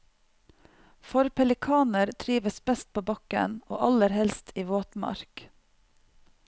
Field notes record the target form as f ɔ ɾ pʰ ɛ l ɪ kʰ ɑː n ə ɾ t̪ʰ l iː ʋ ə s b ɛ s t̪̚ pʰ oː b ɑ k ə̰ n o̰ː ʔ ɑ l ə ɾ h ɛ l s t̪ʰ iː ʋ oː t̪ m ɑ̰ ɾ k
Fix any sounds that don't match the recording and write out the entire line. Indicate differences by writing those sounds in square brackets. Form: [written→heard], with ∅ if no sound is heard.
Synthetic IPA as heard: f ɔ ɾ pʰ ɛ l ɪ kʰ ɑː n ə ɾ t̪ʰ [l→ɾ] iː ʋ ə s b ɛ s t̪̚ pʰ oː b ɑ k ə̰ n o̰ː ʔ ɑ l ə ɾ h ɛ l s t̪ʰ iː ʋ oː t̪ m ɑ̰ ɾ k